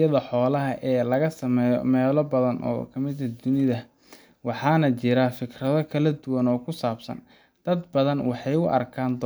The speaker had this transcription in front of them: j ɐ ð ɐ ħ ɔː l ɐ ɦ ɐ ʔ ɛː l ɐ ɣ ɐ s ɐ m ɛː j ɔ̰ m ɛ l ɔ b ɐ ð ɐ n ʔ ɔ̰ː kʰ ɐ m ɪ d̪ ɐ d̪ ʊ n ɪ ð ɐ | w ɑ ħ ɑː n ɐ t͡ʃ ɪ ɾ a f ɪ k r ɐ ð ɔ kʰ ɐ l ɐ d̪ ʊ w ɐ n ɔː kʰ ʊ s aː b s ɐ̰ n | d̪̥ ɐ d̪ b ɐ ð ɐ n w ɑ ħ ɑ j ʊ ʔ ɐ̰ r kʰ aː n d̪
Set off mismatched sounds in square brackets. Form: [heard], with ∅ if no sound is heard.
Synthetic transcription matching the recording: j ɐ ð ɐ ħ ɔː l ɐ ɦ ɐ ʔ ɛː l ɐ ɣ ɐ s ɐ m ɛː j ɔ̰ m [ɛː] l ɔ b ɐ ð ɐ n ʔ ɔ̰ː kʰ ɐ m ɪ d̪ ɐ d̪ ʊ n ɪ ð ɐ | w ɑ ħ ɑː n ɐ t͡ʃ ɪ ɾ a f ɪ k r ɐ ð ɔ kʰ ɐ l ɐ d̪ ʊ w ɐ n ɔː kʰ ʊ s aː b s ɐ̰ n | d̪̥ ɐ d̪ b ɐ ð ɐ n w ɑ ħ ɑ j ʊ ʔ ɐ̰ r kʰ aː n d̪